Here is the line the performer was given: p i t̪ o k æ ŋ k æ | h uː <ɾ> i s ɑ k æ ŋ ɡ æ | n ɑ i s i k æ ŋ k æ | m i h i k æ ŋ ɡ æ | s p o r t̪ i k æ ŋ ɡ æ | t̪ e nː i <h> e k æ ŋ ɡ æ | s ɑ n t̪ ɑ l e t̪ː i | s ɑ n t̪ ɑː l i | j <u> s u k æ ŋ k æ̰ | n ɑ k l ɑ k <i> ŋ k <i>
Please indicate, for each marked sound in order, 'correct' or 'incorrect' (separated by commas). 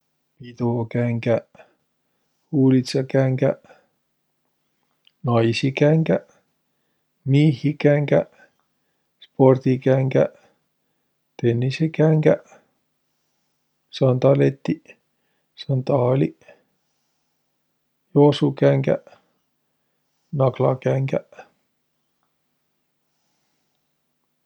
incorrect, incorrect, incorrect, incorrect, incorrect